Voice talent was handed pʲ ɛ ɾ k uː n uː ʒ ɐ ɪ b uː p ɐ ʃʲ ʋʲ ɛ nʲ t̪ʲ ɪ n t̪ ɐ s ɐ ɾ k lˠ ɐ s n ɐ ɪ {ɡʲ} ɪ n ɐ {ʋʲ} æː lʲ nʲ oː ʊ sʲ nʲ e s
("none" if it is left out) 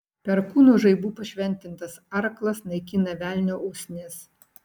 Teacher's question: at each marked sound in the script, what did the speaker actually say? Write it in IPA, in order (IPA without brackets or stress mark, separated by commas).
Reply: kʲ, ʋʲ